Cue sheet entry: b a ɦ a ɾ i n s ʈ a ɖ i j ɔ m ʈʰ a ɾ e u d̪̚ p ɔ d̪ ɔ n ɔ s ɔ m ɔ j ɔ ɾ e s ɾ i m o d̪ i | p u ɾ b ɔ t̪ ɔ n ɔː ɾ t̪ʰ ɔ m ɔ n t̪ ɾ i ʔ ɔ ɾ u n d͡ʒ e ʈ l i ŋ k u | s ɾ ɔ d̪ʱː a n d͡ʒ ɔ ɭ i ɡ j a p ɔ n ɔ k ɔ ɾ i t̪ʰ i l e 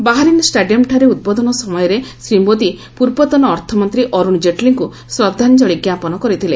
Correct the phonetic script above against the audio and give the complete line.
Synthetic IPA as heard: b a ɦ a ɾ i n s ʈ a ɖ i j ɔ m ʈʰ a ɾ e u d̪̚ b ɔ d̪ ɔ n ɔ s ɔ m ɔ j ɔ ɾ e s ɾ i m o d̪ i | p u ɾ b ɔ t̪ ɔ n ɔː ɾ t̪ʰ ɔ m ɔ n t̪ ɾ i ʔ ɔ ɾ u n d͡ʒ e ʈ l i ŋ k u | s ɾ ɔ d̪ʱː a n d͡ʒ ɔ ɭ i ɡ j a p ɔ n ɔ k ɔ ɾ i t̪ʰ i l e